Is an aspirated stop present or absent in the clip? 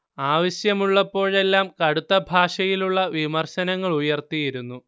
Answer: absent